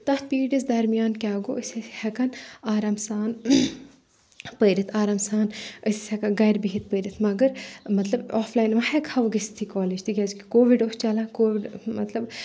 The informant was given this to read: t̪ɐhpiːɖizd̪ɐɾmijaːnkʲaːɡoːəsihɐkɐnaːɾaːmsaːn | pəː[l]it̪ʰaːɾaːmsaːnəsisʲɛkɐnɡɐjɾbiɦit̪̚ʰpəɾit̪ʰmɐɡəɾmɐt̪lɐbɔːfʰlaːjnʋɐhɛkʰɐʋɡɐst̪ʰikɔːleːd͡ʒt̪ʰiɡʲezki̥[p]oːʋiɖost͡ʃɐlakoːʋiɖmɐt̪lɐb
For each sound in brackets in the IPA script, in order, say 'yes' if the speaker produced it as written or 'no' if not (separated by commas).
no, no